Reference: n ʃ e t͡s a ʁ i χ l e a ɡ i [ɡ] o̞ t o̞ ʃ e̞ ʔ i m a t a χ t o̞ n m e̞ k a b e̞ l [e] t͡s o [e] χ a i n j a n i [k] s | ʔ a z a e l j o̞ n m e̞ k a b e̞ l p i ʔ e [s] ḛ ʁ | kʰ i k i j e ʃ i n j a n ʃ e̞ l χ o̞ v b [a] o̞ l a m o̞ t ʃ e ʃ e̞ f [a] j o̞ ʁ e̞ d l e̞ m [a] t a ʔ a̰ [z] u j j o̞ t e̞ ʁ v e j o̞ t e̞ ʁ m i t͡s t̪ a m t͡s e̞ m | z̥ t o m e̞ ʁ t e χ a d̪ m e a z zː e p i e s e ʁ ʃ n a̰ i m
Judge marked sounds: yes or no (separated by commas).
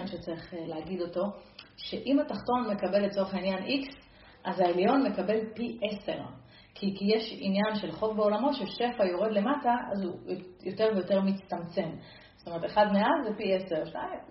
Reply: no, yes, yes, yes, yes, no, yes, yes, yes